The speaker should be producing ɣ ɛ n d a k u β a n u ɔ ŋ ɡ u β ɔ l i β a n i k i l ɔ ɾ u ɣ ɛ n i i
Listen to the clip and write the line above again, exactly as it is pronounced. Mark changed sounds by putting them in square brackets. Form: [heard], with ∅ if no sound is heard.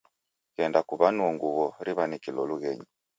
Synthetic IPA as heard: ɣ ɛ n d a k u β a n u ɔ ŋ ɡ u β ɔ [ɾ] i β a n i k i l ɔ [l] u ɣ ɛ [ɲ] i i